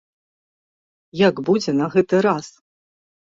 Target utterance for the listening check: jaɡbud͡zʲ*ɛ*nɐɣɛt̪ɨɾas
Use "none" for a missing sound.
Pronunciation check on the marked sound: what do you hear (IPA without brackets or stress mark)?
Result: ɛ